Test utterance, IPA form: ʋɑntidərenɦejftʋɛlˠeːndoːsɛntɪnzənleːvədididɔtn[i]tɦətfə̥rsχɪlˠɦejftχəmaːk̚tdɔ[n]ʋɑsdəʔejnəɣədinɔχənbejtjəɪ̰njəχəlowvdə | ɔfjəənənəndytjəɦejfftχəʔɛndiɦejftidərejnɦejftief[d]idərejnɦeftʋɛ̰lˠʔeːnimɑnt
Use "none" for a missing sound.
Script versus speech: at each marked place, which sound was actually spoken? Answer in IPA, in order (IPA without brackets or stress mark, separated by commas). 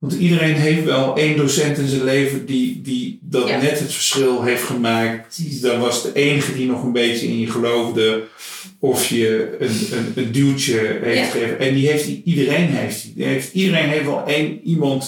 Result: ɛ, n, t